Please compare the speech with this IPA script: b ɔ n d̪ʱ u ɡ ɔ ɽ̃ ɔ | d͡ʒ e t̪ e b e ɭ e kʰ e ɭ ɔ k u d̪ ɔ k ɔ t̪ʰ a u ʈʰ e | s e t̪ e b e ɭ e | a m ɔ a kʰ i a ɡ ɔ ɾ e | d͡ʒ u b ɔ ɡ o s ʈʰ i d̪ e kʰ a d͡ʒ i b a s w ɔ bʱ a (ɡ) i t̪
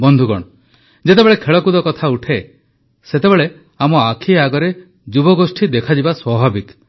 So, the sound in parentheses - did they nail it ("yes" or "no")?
no